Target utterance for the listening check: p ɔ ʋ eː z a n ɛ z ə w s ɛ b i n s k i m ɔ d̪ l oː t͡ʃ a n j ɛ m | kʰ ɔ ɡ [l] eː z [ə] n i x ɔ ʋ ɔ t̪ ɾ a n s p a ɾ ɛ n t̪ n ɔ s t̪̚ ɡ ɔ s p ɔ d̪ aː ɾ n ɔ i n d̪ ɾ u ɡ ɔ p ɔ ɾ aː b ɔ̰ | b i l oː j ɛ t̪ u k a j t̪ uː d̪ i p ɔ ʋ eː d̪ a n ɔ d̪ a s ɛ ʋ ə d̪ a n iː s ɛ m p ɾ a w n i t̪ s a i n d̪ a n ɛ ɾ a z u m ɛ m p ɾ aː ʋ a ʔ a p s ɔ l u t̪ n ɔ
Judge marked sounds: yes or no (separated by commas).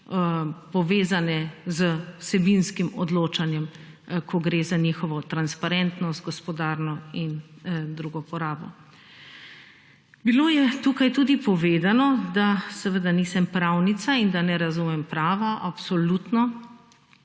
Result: no, no